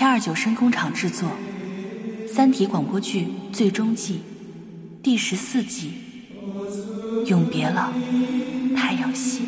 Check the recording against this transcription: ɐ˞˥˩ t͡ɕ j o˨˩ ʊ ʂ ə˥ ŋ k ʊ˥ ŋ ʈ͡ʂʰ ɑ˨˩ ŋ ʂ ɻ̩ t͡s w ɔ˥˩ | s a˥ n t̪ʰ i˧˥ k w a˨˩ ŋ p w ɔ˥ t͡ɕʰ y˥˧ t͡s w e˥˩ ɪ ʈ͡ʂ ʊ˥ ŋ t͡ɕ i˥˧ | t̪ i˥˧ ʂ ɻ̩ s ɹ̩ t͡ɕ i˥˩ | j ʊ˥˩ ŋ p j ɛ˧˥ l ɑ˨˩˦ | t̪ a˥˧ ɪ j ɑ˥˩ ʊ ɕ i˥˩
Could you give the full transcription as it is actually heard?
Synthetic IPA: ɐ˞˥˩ t͡ɕ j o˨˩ ʊ ʂ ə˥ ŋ k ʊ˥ ŋ ʈ͡ʂʰ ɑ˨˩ ŋ ʈ͡ʂ ɻ̩ t͡s w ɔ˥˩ | s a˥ n t̪ʰ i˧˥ k w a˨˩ ŋ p w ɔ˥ t͡ɕʰ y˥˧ t͡s w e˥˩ ɪ ʈ͡ʂ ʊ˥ ŋ t͡ɕ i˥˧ | t̪ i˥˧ ʂ ɻ̩ s ɹ̩ t͡ɕ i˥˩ | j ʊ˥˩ ŋ p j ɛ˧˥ l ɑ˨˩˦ | t̪ʰ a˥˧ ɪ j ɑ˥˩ ʊ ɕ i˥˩